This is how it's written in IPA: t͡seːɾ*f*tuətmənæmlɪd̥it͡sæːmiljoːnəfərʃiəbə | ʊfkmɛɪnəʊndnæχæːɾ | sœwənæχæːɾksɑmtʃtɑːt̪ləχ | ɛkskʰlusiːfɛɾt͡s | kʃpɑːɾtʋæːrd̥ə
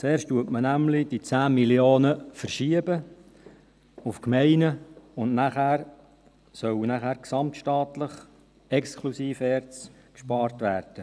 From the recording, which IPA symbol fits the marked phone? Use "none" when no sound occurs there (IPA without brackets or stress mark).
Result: ʃ